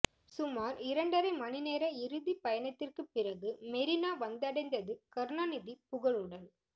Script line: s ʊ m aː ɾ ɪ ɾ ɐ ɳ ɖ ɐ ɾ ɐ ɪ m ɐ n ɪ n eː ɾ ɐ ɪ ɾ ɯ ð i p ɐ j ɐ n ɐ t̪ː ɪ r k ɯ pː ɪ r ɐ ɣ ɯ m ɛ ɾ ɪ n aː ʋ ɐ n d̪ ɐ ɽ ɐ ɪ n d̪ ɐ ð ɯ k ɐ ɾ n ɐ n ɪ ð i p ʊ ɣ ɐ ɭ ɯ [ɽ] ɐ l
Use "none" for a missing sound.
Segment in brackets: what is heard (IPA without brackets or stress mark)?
ɽ